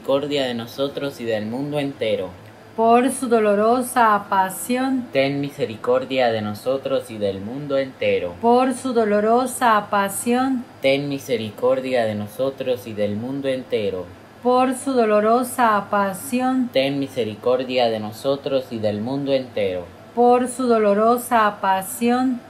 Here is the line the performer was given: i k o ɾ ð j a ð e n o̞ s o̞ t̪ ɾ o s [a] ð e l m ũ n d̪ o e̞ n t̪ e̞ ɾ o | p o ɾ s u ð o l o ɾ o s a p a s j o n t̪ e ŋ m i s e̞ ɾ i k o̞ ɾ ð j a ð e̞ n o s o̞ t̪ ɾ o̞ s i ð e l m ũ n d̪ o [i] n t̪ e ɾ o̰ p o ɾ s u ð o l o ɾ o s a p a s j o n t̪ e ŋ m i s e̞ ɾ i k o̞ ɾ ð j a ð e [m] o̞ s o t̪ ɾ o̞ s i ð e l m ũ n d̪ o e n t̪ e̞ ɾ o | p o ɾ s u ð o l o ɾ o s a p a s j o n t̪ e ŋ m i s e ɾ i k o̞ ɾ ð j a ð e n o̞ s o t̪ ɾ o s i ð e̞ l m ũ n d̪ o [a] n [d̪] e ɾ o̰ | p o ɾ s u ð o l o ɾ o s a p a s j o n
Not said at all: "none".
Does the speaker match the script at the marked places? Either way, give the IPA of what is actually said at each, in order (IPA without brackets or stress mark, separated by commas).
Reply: i, e, n, e, t̪